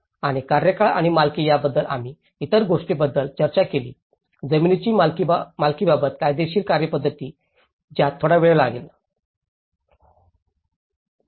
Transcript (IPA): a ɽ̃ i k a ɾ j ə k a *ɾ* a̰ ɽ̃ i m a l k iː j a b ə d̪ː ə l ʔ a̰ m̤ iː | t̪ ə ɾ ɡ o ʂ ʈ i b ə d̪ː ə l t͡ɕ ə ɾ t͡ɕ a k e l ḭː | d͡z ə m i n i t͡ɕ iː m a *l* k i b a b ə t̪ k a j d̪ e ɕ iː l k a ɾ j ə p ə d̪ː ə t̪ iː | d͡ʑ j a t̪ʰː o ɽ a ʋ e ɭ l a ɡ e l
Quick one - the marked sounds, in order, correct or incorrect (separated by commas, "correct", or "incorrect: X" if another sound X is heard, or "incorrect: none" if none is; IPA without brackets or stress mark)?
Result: incorrect: ɭ, correct